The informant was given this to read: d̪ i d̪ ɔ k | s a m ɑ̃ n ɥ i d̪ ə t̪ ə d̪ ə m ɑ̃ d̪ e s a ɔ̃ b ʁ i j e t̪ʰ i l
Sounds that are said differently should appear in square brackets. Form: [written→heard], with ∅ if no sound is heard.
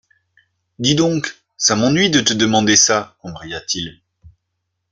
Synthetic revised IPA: d̪ i d̪ [ɔ→ɔ̃] k | s a m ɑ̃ n ɥ i d̪ ə t̪ ə d̪ ə m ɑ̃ d̪ e s a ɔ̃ b ʁ i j [e→a] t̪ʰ i l

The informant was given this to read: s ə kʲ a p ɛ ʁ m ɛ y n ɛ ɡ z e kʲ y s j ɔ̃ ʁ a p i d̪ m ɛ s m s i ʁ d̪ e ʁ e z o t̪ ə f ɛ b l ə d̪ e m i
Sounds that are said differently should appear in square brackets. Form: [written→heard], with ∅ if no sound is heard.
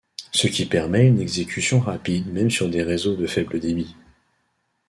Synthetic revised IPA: s ə kʲ [a→i] p ɛ ʁ m ɛ y n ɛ ɡ z e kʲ y s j ɔ̃ ʁ a p i d̪ m ɛ [s→∅] m s [i→y] ʁ d̪ e ʁ e z o [t̪→d̪] ə f ɛ b l ə d̪ e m i

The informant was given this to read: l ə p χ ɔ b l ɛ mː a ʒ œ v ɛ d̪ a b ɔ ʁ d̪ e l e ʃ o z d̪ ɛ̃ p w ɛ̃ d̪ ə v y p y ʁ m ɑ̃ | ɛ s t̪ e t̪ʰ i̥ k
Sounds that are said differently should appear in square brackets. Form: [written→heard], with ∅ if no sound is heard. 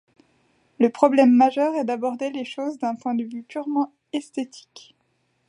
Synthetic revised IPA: l ə p χ ɔ b l ɛ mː a ʒ œ [v→ʁ] ɛ d̪ a b ɔ ʁ d̪ e l e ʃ o z d̪ ɛ̃ p w ɛ̃ d̪ ə v y p y ʁ m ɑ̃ | ɛ s t̪ e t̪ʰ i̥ k

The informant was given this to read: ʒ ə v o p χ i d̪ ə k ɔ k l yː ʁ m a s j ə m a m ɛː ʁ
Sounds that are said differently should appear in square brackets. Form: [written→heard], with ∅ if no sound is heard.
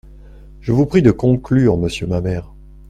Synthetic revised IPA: ʒ ə v [o→u] p χ i d̪ ə k [ɔ→ɔ̃] k l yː ʁ m [a→ə] s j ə m a m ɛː ʁ

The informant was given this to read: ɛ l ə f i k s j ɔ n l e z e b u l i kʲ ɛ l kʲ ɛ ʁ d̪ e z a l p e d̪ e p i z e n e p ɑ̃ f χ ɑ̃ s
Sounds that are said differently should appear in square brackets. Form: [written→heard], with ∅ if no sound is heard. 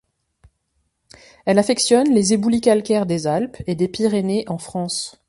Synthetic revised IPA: ɛ l [ə→a] f [i→ɛ] k s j ɔ n l e z e b u l i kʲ [ɛ→a] l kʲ ɛ ʁ d̪ e z a l p e d̪ e p i [z→ʁ] e n e [p→ʔ] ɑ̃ f χ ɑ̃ s

